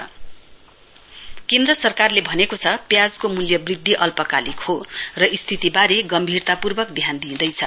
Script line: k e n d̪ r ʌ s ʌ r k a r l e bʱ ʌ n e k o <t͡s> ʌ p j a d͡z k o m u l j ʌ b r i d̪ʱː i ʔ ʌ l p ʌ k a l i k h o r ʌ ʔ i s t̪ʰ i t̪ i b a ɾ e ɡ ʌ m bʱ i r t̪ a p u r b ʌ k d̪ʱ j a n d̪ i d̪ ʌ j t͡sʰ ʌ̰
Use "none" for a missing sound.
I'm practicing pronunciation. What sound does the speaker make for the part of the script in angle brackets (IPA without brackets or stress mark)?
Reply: t͡sʰ